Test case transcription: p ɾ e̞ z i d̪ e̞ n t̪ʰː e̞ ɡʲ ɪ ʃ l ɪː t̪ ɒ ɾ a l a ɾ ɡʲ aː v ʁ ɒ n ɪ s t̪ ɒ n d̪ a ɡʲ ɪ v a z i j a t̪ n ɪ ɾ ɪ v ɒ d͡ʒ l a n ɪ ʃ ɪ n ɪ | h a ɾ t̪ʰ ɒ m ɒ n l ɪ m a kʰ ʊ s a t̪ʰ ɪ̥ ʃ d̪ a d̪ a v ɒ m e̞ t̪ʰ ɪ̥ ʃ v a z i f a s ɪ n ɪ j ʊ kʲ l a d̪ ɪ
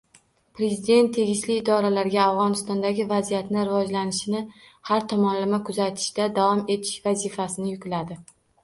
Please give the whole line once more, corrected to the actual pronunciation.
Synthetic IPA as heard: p ɾ e̞ z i d̪ e̞ n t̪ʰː e̞ ɡʲ ɪ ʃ l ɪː d̪ ɒ ɾ a l a ɾ ɡʲ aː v ʁ ɒ n ɪ s t̪ ɒ n d̪ a ɡʲ ɪ v a z i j a t̪ n ɪ ɾ ɪ v ɒ d͡ʒ l a n ɪ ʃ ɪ n ɪ | h a ɾ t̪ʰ ɒ m ɒ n l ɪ m a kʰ ʊ z a t̪ʰ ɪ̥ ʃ d̪ a d̪ a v ɒ m e̞ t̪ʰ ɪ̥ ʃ v a z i f a s ɪ n ɪ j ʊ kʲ l a d̪ ɪ